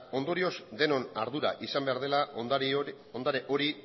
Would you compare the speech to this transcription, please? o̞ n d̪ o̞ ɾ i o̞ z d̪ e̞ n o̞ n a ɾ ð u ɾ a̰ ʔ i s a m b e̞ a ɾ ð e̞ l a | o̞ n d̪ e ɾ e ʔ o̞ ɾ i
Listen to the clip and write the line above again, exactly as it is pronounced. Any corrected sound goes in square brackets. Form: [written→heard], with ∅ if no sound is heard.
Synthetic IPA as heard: o̞ n d̪ o̞ ɾ i o̞ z d̪ e̞ n o̞ n a ɾ ð u ɾ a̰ ʔ i s a m b e̞ a ɾ ð e̞ l a | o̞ n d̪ [e→a] ɾ e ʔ o̞ ɾ i